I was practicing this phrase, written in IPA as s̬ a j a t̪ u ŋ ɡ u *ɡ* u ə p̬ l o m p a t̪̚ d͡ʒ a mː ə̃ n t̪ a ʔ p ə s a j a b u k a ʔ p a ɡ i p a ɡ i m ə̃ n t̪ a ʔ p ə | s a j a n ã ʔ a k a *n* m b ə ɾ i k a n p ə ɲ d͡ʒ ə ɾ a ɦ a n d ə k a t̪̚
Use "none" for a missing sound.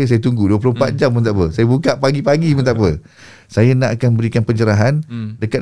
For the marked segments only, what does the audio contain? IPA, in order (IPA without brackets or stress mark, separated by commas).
d, n